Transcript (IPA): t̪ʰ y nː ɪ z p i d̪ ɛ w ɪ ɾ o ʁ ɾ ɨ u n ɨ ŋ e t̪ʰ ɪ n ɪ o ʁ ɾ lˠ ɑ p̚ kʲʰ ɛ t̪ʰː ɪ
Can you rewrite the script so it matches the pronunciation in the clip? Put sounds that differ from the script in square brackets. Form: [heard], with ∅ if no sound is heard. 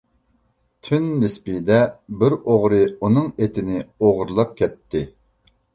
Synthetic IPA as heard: t̪ʰ y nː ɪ [s] p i d̪ ɛ [b] ɪ ɾ o ʁ ɾ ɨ u n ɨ ŋ e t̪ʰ ɪ n ɪ o ʁ ɾ lˠ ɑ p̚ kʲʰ ɛ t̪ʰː ɪ